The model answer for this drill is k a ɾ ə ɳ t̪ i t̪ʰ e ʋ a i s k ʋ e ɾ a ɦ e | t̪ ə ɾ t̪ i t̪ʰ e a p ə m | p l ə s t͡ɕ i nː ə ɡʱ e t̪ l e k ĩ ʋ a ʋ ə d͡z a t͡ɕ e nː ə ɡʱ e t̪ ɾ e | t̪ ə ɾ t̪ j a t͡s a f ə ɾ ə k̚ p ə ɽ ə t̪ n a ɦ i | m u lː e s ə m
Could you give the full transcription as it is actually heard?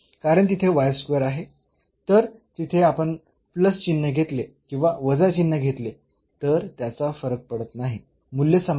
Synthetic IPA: k a ɾ ə ɳ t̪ i t̪ʰ e ʋ a j s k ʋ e ɾ a ɦ e | t̪ ə ɾ t̪ i t̪ʰ e a p ə ɳ | p l ə s t͡ɕ i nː ə ɡʱ e t̪ l e k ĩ ʋ a ʋ ə d͡z a t͡ɕ i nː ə ɡʱ e t̪ l e | t̪ ə ɾ t̪ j a t͡s a f ə ɾ ə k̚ p ə ɽ ə t̪ n a ɦ i | m u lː e s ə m